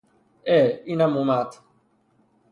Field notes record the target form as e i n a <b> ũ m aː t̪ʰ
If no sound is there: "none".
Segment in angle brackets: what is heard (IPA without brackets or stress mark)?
m